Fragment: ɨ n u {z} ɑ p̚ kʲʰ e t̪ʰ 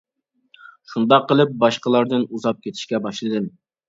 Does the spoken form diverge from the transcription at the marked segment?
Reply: no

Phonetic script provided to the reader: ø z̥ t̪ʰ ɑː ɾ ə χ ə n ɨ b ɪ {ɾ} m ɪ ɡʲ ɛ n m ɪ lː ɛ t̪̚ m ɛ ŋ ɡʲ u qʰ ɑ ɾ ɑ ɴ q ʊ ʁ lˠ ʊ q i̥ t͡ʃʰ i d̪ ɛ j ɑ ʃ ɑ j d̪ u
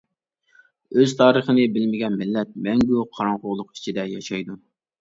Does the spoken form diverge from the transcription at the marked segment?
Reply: yes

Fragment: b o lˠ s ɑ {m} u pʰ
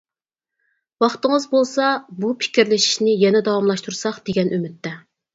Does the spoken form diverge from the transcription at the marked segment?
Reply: yes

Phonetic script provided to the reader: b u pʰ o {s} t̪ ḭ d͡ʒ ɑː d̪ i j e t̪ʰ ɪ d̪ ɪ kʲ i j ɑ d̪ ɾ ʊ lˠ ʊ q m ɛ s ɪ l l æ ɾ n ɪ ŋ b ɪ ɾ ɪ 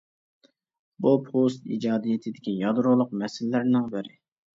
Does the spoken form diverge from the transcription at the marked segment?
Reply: no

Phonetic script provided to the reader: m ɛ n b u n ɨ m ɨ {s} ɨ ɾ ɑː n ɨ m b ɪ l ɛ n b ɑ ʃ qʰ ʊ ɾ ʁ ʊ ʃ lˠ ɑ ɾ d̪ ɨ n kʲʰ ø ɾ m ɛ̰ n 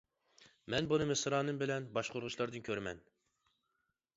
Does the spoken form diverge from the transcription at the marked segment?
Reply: no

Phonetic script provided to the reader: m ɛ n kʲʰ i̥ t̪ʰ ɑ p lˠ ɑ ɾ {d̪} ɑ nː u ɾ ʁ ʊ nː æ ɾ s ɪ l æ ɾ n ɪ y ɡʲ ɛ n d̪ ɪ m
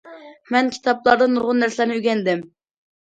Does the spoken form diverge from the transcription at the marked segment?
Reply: no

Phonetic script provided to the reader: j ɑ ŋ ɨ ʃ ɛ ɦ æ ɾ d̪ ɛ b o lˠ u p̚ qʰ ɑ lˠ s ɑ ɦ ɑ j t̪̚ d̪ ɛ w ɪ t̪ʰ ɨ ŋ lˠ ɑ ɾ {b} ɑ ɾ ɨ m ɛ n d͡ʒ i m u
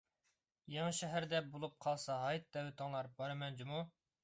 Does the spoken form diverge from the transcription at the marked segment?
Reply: no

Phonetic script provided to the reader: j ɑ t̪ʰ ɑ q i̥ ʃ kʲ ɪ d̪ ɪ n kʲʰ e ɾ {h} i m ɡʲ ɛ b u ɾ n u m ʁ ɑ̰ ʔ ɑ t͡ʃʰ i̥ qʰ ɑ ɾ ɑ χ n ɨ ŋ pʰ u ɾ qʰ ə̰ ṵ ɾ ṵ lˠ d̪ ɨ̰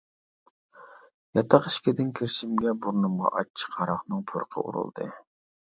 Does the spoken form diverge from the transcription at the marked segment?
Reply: yes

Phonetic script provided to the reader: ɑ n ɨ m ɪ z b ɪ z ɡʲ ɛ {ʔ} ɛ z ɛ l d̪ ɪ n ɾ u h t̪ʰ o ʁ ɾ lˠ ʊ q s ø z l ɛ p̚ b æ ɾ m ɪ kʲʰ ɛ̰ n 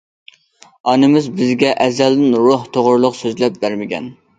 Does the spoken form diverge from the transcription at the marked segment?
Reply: no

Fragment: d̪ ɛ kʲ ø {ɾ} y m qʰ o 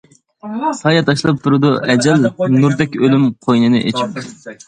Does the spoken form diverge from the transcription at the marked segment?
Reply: yes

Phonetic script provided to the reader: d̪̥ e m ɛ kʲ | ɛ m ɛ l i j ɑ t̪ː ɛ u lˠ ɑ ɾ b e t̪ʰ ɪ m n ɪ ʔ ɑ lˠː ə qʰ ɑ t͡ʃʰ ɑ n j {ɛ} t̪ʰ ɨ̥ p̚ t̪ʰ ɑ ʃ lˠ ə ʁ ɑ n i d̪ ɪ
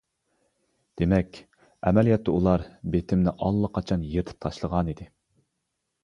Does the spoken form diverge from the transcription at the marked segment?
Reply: yes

